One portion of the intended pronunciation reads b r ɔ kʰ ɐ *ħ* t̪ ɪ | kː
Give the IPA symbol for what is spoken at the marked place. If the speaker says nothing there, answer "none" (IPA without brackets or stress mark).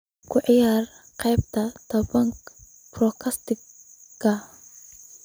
s